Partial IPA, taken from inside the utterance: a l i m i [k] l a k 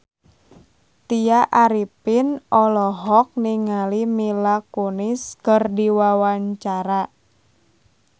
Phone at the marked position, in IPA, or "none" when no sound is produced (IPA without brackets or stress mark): none